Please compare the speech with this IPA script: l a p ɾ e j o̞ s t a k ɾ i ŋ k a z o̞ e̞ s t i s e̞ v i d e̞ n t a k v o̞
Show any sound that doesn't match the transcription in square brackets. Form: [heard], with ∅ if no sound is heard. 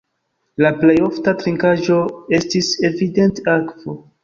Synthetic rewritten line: l a p [l] e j o̞ [f] t a [t] ɾ i ŋ k a [ʒ] o̞ e̞ s t i s e̞ v i d e̞ n t a k v o̞